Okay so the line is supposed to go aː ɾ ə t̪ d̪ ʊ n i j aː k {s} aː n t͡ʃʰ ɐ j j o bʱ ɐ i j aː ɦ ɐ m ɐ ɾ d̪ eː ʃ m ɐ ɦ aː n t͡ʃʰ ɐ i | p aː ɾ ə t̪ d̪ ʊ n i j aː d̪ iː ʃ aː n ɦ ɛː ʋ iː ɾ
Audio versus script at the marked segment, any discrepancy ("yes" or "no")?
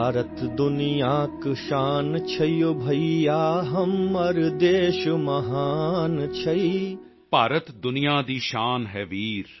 yes